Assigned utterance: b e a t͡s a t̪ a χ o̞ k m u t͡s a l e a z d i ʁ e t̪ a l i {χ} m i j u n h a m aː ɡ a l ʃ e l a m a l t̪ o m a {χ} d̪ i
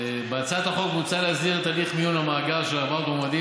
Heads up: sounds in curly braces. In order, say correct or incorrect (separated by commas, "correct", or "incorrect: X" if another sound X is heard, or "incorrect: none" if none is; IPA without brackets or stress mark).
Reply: correct, incorrect: none